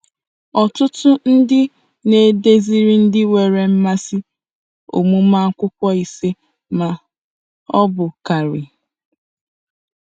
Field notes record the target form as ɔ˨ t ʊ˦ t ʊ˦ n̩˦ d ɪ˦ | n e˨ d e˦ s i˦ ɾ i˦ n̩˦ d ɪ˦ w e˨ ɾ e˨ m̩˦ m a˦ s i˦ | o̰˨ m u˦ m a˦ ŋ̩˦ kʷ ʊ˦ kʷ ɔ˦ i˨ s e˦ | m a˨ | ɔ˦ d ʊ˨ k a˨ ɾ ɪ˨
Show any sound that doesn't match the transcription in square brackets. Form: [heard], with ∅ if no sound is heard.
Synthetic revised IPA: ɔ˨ t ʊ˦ t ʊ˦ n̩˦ d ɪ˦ | n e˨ d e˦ [z] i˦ ɾ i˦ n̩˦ d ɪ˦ w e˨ ɾ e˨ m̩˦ m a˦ s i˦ | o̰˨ m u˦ m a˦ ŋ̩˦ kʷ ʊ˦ kʷ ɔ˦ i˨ s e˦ | m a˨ | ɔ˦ [b] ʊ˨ k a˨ ɾ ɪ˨

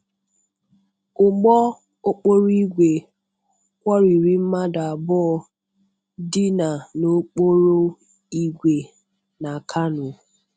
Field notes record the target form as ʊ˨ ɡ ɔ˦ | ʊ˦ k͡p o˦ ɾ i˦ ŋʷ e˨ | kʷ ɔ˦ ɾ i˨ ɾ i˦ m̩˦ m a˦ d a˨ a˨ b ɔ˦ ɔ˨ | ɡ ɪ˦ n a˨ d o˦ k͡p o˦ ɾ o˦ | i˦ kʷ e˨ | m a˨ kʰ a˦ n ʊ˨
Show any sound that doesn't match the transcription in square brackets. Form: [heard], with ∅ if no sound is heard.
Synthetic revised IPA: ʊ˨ [ɡ͡b] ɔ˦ | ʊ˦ k͡p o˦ ɾ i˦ [ɡʷ] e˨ | kʷ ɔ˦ ɾ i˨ ɾ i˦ m̩˦ m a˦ d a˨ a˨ b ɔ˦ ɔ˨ | [d] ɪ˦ n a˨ [n] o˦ k͡p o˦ ɾ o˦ | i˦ [ɡʷ] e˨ | [n] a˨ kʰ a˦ n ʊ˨

